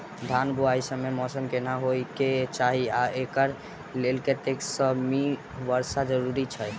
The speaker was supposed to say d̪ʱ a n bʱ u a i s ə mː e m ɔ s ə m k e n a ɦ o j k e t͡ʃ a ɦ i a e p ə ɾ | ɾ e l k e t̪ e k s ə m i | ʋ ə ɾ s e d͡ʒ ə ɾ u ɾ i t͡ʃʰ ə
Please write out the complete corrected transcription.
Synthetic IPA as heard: d̪ʱ a n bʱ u a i s ə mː e m ɔ s ə m k e n a ɦ o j k e t͡ʃ a ɦ i a e k ə ɾ | l e l k e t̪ e k s ə m i | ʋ ə ɾ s a d͡ʒ ə ɾ u ɾ i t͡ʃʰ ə

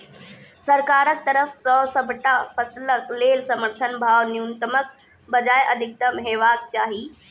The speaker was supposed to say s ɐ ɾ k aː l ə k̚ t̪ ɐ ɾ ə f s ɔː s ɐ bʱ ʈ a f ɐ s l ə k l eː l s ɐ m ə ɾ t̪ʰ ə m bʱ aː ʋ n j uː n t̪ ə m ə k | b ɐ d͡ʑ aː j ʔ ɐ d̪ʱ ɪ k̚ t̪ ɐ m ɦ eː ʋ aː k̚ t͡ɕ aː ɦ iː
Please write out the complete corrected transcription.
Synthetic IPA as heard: s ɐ ɾ k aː ɾ ə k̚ t̪ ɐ ɾ ə f s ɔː s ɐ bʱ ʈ a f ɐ s l ə k l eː l s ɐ m ə ɾ t̪ʰ ə n bʱ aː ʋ n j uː n t̪ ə m ə k | b ɐ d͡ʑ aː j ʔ ɐ d̪ʱ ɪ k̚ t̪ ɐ m ɦ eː ʋ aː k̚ t͡ɕ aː ɦ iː

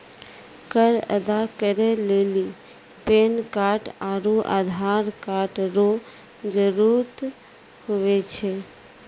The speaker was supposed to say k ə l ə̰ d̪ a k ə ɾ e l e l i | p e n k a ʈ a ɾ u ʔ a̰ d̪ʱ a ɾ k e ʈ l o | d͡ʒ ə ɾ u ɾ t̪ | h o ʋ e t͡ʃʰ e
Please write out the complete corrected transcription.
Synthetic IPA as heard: k ə ɾ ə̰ d̪ a k ə ɾ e l e l i | p e n k a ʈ a ɾ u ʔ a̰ d̪ʱ a ɾ k a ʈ ɾ o | d͡ʒ ə ɾ u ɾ t̪ | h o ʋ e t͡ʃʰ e

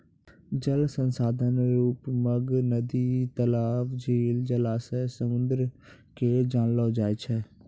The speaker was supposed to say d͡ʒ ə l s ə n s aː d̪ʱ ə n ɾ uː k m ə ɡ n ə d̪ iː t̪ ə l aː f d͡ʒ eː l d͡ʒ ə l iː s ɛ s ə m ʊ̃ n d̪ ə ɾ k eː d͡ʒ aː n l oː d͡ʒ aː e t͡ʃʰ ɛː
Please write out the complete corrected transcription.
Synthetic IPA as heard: d͡ʒ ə l s ə n s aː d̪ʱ ə n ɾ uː p m ə ɡ n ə d̪ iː t̪ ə l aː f d͡ʒ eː l d͡ʒ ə l aː s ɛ s ə m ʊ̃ n d̪ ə ɾ k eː d͡ʒ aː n l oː d͡ʒ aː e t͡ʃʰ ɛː

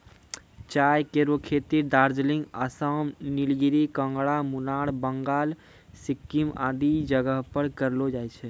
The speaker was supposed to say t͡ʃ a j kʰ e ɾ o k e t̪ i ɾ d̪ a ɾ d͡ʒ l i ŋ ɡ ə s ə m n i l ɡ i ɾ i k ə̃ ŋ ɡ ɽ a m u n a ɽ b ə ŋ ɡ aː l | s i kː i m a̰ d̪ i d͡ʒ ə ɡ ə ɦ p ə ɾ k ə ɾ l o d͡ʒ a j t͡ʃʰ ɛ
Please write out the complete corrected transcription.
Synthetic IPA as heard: t͡ʃ a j k e ɾ o kʰ e t̪ i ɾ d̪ a ɾ d͡ʒ l i ŋ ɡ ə s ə m n i l ɡ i ɾ i k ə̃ ŋ ɡ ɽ a m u n a ɽ b ə ŋ ɡ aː l | s i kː i m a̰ d̪ i d͡ʒ ə ɡ ə ɦ p ə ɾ k ə ɾ l o d͡ʒ a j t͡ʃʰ ɛ

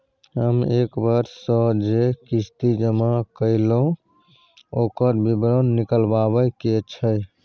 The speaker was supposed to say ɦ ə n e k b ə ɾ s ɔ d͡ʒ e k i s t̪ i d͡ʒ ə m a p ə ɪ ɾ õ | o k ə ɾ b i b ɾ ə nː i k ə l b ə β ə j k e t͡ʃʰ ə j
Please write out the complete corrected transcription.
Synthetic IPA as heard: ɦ ə m e k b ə ɾ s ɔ d͡ʒ e k i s t̪ i d͡ʒ ə m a k ə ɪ l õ | o k ə ɾ b i b ɾ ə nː i k ə l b a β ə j k e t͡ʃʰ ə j

